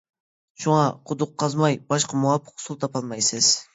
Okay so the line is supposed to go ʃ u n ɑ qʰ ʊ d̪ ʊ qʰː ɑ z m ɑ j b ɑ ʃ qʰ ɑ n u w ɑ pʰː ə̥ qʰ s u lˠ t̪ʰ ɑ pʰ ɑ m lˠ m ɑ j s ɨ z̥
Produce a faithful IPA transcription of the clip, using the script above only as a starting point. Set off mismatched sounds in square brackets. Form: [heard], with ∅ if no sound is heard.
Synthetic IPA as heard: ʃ u [ŋ] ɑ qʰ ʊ d̪ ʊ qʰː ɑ z m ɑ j b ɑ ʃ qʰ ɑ [m] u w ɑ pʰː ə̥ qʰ s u lˠ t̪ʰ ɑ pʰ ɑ [∅] lˠ m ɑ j s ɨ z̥